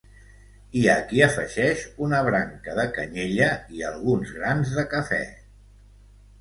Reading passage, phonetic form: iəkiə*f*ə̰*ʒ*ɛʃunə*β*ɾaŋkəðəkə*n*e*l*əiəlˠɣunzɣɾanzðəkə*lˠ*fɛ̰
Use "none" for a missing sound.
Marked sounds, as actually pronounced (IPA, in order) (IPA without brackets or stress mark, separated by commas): f, ʒ, β, ɲ, ʎ, none